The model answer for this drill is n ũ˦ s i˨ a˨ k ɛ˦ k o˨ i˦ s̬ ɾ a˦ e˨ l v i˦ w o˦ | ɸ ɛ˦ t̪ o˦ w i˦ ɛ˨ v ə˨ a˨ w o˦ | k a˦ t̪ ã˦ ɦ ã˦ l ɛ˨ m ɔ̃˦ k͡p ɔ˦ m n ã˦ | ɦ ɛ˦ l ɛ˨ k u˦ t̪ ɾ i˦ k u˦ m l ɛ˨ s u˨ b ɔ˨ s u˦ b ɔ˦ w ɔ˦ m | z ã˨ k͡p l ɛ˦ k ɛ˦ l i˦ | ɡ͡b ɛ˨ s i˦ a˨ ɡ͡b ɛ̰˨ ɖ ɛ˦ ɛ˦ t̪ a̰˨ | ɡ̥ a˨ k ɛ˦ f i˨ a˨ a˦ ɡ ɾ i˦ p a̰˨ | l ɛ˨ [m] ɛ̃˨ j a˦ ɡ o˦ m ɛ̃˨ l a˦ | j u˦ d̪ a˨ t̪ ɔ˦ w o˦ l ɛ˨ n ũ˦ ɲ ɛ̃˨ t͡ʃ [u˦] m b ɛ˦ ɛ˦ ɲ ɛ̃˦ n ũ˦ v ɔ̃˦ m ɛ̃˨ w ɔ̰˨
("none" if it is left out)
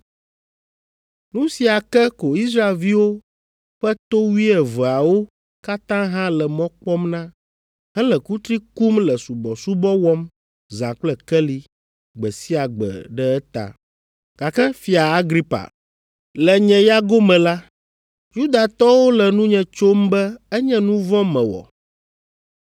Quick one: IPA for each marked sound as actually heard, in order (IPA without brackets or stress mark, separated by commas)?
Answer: ɲ, o˦